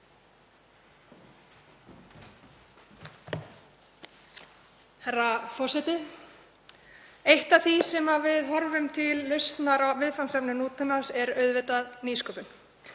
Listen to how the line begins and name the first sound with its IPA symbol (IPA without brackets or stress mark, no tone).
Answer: h